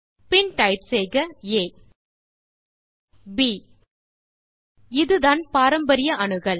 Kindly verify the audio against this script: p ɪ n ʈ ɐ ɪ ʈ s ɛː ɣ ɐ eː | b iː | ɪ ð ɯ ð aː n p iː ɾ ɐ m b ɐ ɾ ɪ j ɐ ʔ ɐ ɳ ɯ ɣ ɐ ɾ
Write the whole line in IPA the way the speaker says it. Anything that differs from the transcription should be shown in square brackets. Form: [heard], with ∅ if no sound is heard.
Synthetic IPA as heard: p ɪ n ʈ ɐ ɪ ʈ s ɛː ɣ ɐ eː | b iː | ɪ ð ɯ ð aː n p [aː] ɾ ɐ m b ɐ ɾ ɪ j ɐ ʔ ɐ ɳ ɯ ɣ ɐ [ɭ]